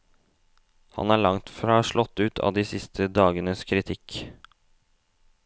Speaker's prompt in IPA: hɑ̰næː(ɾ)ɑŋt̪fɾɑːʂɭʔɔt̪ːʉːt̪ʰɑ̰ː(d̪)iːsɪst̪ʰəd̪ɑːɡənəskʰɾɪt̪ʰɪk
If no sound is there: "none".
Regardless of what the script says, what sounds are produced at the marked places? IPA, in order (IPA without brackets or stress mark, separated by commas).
ɭ, d̪